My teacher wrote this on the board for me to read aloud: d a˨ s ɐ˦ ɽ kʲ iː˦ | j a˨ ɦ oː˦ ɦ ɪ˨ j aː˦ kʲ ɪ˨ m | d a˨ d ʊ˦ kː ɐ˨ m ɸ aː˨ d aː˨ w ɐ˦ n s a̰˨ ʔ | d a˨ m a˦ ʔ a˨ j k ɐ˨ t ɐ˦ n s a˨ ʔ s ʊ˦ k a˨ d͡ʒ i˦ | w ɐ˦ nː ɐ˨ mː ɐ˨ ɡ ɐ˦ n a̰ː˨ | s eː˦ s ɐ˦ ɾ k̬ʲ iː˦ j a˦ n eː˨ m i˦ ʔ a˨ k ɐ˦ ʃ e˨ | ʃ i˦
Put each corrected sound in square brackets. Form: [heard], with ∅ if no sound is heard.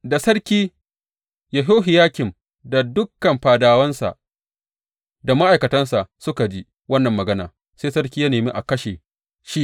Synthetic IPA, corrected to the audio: d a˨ s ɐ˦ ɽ kʲ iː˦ | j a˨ ɦ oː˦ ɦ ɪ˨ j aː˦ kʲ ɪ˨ m | d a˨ d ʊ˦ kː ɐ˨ m ɸ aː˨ d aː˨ w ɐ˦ n s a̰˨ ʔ | d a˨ m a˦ ʔ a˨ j k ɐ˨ t ɐ˦ n s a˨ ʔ s ʊ˦ k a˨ d͡ʒ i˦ | w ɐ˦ nː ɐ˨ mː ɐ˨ ɡ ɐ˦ n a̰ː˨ | s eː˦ s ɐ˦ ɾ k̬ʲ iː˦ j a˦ n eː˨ m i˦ ʔ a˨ k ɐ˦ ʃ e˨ | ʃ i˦